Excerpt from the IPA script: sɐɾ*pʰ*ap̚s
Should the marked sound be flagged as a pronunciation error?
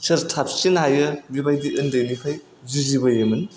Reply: yes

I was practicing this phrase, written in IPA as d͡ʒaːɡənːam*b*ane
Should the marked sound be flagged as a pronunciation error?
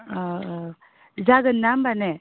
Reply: no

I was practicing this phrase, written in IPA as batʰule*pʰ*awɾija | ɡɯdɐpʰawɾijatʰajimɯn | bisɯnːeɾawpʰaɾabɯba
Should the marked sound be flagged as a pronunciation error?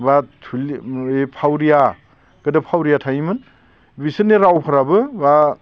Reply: no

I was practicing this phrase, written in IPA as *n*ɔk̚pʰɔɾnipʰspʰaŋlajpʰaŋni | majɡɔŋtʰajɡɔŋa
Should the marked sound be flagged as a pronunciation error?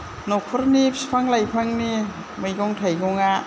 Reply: no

